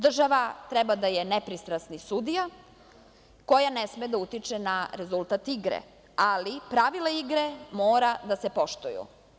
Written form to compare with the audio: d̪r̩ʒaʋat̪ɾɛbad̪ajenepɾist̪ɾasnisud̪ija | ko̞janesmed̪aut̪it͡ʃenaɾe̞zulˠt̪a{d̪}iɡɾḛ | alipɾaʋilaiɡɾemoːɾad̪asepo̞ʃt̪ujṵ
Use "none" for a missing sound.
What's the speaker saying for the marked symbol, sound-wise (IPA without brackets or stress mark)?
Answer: t̪